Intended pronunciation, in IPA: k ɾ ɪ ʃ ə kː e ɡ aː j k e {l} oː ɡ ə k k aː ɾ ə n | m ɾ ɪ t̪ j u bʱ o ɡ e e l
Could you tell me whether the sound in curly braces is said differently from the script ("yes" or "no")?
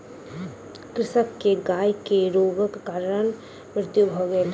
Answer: yes